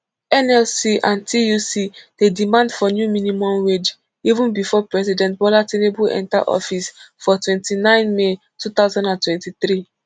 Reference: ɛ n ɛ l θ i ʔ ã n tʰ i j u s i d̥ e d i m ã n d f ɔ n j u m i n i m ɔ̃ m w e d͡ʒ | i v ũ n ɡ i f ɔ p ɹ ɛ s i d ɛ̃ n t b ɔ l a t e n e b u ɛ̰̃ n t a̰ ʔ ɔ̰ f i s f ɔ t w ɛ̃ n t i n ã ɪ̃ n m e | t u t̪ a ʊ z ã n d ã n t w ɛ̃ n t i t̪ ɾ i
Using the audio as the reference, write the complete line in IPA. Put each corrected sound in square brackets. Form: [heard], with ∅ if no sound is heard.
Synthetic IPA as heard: ɛ n ɛ l [s] i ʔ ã n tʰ i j u s i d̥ e d i m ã n d f ɔ n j u m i n i m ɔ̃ m w e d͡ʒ | i v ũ n [b] i f ɔ p ɹ ɛ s i d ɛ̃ n t b ɔ l a t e n e b u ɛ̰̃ n t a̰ ʔ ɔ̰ f i s f ɔ t w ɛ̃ n t i n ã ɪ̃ n m e | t u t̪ a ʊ z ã n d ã n t w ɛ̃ n t i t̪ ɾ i